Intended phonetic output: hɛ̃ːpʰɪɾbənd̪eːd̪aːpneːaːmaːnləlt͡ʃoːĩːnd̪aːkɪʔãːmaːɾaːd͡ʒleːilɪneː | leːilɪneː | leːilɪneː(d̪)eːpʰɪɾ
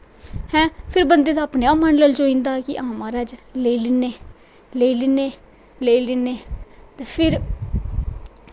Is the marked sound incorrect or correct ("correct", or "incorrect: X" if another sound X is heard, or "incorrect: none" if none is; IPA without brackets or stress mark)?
incorrect: t̪